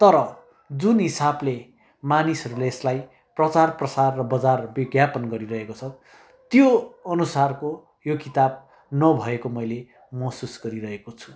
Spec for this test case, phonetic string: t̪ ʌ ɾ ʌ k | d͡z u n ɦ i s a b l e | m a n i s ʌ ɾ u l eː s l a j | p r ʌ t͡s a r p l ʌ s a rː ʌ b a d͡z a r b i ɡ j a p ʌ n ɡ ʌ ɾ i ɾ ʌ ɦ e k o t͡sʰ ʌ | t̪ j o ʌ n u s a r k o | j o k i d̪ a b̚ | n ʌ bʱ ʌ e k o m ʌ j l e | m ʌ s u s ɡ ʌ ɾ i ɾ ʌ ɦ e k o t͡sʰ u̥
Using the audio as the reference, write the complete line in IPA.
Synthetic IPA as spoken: t̪ ʌ ɾ ʌ | d͡z u n ɦ i s a b l e | m a n i s ʌ ɾ u l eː s l a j | p r ʌ t͡s a r p r ʌ s a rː ʌ b ʌ d͡z a r b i ɡ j a p ʌ n ɡ ʌ ɾ i ɾ ʌ ɦ e k o t͡sʰ ʌ | t̪ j o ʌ n u s a r k o | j o k i t̪ a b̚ | n ʌ bʱ ʌ e k o m ʌ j l e | m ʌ s u s ɡ ʌ ɾ i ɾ ʌ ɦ e k o t͡sʰ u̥

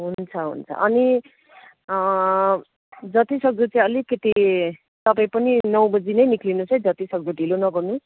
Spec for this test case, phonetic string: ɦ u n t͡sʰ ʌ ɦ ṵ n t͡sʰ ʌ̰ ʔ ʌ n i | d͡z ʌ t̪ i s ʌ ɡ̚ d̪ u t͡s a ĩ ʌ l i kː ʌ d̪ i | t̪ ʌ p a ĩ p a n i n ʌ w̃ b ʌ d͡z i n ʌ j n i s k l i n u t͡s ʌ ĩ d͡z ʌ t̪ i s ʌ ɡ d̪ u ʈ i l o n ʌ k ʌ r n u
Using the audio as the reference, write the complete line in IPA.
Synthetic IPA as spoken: ɦ u n t͡sʰ ʌ ɦ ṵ n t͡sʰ ʌ̰ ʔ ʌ n i | d͡z ʌ t̪ i s ʌ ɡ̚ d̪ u t͡s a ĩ ʌ l i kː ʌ t̪ i | t̪ ʌ p a ĩ p ʌ n i n ʌ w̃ b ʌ d͡z i n ʌ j n i k l i n u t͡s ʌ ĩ d͡z ʌ t̪ i s ʌ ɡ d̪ u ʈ i l o n ʌ ɡ ʌ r n u

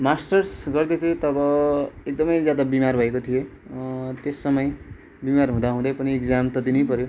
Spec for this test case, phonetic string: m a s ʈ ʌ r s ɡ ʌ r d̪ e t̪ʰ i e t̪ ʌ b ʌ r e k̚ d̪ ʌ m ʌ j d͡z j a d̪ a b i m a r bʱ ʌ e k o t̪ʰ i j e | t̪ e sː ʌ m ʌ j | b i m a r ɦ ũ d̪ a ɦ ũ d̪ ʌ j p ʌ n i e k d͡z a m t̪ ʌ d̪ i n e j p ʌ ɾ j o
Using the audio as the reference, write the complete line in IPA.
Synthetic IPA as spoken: m a s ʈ ʌ r s ɡ ʌ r d̪ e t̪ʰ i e t̪ ʌ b ʌ e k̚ d̪ ʌ m ʌ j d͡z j a d̪ a b i m a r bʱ ʌ e k o t̪ʰ i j e | t̪ e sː ʌ m ʌ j | b i m a r ɦ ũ d̪ a ɦ ũ d̪ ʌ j p ʌ n i e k d͡z a m t̪ ʌ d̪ i n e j p ʌ ɾ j o

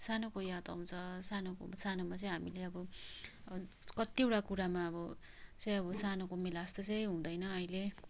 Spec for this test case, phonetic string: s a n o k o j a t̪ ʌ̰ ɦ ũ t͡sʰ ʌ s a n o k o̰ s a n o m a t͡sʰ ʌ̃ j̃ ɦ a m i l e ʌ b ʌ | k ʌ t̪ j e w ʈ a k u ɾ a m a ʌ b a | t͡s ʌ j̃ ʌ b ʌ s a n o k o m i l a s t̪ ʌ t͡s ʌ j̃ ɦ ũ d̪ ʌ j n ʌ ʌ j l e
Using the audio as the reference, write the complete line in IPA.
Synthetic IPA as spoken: s a n o k o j a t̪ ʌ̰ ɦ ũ t͡sʰ ʌ s a n o k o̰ s a n o m a t͡s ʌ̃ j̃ ɦ a m i l e ʌ b ʌ | k ʌ t̪ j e w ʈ a k u ɾ a m a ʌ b ʌ | t͡s ʌ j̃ ʌ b ʌ s a n o k o m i l a s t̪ ʌ t͡s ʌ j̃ ɦ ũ d̪ ʌ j n ʌ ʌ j l e

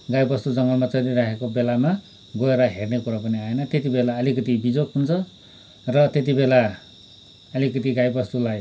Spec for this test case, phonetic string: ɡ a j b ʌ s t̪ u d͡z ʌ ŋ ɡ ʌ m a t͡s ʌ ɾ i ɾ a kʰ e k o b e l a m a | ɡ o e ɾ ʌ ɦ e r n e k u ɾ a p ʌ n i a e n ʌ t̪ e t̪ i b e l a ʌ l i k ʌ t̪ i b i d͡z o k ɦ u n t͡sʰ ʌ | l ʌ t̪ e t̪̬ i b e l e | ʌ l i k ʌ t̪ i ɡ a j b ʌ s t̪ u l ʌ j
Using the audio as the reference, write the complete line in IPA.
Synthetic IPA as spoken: ɡ a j b ʌ s t̪ u d͡z ʌ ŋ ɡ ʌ m a t͡s ʌ ɾ i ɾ a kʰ e k o b e l a m a | ɡ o e ɾ ʌ ɦ e r n e k u ɾ a p ʌ n i a e n ʌ t̪ e t̪ i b e l a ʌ l i k ʌ t̪ i b i d͡z o k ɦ u n t͡sʰ ʌ | r ʌ t̪ e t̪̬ i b e l a | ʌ l i k ʌ t̪ i ɡ a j b ʌ s t̪ u l a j

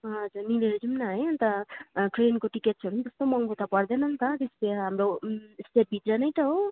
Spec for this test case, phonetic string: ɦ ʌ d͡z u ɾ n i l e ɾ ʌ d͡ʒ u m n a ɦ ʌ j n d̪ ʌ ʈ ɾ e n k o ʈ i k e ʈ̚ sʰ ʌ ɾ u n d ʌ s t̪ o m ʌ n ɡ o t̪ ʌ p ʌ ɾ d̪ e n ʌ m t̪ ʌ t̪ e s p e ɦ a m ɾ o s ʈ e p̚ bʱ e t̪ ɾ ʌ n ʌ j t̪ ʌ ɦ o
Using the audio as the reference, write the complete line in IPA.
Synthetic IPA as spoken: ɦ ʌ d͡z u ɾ n i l e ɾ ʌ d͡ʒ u m n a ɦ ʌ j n t̪ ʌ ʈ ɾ e n k o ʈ i k e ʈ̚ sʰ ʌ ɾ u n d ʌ s t̪ o m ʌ ŋ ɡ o t̪ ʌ p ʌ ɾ d̪ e n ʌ n t̪ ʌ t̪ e s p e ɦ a m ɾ o s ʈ e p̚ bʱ i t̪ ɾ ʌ n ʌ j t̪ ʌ ɦ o

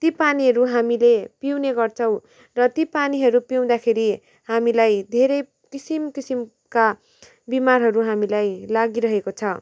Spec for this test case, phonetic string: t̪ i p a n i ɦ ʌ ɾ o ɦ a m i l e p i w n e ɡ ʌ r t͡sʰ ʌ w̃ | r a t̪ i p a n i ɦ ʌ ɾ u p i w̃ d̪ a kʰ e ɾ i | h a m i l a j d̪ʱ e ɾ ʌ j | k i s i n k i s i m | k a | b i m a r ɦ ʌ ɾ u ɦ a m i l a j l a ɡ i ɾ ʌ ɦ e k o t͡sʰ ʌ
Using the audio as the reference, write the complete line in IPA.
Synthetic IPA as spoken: t̪ i p a n i ɦ ʌ ɾ u ɦ a m i l e p i w n e ɡ ʌ r t͡sʰ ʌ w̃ | r ʌ t̪ i p a n i ɦ ʌ ɾ u p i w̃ d̪ a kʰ e ɾ i | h a m i l a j d̪ʱ e ɾ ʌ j | k i s i m k i s i m | k a | b i m a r ɦ ʌ ɾ u ɦ a m i l a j l a ɡ i ɾ ʌ ɦ e k o t͡sʰ ʌ

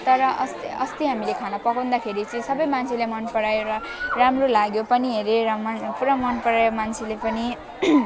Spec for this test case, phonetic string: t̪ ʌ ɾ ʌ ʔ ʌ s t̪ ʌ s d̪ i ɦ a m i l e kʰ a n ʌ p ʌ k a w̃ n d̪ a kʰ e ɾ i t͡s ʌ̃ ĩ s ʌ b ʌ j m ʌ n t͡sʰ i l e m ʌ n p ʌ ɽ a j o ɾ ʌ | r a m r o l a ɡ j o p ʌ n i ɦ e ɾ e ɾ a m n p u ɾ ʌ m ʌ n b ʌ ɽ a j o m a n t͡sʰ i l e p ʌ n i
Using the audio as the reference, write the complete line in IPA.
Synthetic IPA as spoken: t̪ ʌ ɾ ʌ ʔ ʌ s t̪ ʌ s t̪ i ɦ a m i l e kʰ a n ʌ p ʌ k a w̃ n d̪ a kʰ e ɾ i t͡s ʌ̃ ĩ s ʌ b ʌ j m a n t͡sʰ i l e m ʌ n p ʌ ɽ a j o ɾ ʌ | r a m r o l a ɡ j o p ʌ n i ɦ e ɾ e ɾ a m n p u ɾ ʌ m ʌ n p ʌ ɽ a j o m a n t͡sʰ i l e p ʌ n i

